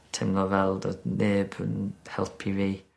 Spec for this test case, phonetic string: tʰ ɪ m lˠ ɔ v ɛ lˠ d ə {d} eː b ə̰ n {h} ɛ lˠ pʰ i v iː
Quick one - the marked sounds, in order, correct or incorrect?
incorrect, correct

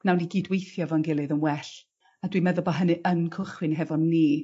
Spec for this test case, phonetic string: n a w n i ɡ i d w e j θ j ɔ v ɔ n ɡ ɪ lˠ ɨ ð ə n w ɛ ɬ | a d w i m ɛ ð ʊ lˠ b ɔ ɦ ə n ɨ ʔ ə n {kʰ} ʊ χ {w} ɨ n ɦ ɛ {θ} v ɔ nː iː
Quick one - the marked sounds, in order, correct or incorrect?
correct, correct, incorrect

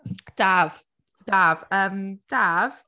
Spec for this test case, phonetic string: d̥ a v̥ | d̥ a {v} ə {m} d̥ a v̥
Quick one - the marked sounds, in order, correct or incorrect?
correct, correct

